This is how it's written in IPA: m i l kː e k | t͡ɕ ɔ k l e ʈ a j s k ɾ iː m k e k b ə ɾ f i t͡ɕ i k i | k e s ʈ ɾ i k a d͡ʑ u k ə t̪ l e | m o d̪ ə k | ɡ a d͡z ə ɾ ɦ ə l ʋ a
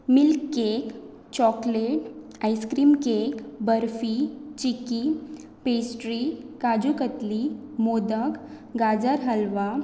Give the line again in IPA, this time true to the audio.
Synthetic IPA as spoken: m i l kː e k | t͡ɕ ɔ k l e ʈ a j s k ɾ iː m k e k b ə ɾ f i t͡ɕ i k i | p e s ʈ ɾ i k a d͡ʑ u k ə t̪ l i | m o d̪ ə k | ɡ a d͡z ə ɾ ɦ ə l ʋ a